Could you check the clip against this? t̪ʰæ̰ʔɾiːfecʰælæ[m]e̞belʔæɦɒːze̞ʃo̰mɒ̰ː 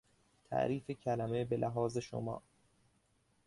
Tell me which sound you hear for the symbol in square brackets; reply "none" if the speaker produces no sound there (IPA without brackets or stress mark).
m